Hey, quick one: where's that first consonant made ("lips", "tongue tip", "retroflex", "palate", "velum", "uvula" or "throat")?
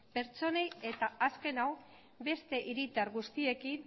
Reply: lips